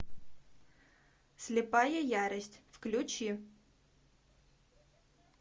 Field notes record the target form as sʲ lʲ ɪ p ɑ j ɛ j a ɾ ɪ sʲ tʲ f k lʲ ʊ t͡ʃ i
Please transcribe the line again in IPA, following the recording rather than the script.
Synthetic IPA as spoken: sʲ lʲ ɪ p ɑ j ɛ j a ɾ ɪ sʲ tʲ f k lʲ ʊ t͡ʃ i